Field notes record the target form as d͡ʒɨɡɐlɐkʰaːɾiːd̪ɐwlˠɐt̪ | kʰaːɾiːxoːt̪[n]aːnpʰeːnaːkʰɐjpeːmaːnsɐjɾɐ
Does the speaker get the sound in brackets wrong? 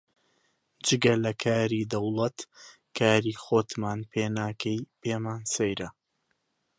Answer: yes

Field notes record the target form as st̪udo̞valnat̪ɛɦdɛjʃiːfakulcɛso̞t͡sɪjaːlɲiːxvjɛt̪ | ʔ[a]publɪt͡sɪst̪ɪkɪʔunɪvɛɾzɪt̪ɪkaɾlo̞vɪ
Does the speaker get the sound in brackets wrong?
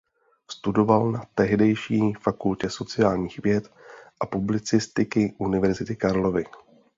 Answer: no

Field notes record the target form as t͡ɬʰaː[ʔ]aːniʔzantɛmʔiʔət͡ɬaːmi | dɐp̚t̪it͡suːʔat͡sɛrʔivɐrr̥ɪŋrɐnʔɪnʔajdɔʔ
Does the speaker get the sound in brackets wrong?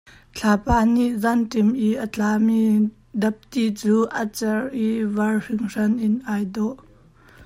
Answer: yes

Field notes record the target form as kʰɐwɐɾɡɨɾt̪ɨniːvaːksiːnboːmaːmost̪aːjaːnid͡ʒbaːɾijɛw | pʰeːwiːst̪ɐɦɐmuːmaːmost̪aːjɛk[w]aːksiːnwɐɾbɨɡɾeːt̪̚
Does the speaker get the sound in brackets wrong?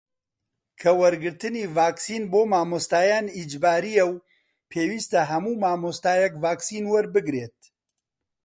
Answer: yes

